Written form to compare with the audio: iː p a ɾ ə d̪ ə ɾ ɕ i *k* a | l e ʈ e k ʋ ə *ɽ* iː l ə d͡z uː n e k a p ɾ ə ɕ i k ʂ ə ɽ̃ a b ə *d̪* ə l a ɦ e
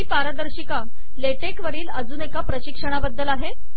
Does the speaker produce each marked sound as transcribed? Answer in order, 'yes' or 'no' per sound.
yes, no, no

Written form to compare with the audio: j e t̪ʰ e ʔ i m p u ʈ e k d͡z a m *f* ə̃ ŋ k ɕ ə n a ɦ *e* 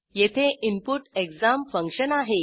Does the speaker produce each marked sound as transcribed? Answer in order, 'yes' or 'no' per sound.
yes, yes

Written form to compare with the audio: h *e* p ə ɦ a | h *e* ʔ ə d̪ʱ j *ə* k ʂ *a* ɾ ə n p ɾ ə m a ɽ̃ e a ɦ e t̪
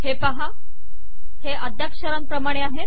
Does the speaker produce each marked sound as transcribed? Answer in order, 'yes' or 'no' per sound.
yes, yes, no, no

